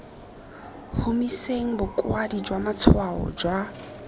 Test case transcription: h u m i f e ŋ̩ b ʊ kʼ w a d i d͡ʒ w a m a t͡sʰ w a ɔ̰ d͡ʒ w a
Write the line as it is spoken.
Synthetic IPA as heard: h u m i s e ŋ̩ b ʊ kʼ w a d i d͡ʒ w a m a t͡sʰ w a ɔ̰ d͡ʒ w a